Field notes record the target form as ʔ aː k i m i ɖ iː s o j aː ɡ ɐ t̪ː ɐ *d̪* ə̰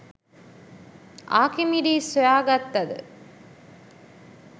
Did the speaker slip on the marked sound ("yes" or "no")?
no